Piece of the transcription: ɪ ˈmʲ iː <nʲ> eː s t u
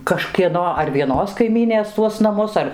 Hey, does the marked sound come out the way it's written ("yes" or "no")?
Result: yes